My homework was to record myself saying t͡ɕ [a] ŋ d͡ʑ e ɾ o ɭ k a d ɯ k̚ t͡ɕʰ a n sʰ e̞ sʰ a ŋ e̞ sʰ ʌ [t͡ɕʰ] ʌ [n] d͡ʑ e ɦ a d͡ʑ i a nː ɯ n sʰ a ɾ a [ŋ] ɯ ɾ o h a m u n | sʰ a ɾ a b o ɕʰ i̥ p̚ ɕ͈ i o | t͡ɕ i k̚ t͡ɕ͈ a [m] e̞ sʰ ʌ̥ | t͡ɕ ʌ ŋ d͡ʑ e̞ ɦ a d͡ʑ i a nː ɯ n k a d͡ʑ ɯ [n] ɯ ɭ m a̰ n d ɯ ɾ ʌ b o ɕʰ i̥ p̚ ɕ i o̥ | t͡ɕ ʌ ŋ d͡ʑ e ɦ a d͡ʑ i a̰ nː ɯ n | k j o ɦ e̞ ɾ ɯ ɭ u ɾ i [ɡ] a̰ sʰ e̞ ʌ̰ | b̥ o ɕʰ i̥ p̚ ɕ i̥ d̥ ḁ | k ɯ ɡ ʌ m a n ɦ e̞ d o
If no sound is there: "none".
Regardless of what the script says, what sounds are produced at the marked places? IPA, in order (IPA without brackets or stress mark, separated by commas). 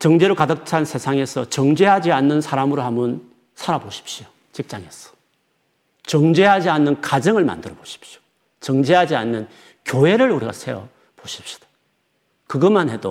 ʌ, t͡ɕ, ŋ, m, ŋ, ŋ, ɡ